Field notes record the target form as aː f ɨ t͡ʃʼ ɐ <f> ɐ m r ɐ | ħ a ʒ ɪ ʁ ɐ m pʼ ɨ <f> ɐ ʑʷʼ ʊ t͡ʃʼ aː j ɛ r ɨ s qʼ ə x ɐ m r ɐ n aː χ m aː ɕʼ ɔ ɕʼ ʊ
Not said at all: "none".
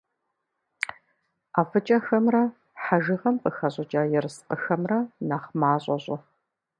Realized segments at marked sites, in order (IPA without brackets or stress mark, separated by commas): x, x